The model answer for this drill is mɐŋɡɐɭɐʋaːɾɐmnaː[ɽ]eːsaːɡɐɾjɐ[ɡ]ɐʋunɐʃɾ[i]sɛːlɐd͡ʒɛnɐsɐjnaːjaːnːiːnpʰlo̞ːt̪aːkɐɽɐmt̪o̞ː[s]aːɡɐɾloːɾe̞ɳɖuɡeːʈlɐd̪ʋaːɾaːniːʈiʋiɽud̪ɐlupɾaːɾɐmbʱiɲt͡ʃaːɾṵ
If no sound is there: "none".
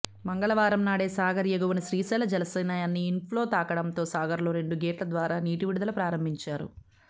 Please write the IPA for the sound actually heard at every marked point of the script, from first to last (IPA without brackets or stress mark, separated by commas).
ɽ, ɡ, iː, s